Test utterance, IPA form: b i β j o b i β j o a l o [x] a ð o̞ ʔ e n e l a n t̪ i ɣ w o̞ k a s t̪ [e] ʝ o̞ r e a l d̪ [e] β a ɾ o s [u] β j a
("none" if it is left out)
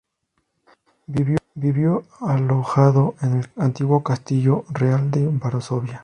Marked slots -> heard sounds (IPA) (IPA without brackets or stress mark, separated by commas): x, i, e, o